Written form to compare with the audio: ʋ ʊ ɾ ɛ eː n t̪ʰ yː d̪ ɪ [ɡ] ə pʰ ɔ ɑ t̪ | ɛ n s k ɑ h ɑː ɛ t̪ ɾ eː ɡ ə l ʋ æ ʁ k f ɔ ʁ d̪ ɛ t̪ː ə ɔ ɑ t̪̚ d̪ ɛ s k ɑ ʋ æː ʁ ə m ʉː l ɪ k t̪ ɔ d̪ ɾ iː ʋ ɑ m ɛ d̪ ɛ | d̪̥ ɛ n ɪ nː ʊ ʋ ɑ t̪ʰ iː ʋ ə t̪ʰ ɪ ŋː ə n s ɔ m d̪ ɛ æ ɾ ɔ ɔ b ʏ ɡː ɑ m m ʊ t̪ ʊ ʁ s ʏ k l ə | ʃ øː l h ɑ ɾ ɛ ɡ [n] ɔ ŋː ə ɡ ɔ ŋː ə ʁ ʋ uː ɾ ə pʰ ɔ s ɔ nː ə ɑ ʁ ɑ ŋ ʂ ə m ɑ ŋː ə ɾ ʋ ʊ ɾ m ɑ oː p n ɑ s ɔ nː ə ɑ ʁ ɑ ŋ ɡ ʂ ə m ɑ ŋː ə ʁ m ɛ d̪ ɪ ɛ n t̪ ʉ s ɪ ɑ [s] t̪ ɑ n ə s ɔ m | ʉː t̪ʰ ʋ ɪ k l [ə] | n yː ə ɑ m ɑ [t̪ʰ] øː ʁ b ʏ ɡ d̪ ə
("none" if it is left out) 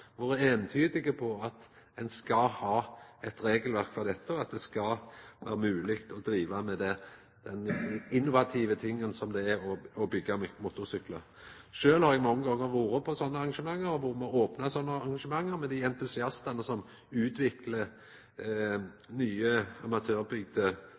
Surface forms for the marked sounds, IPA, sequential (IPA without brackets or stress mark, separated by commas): ɡ, m, s, ə, t̪ʰ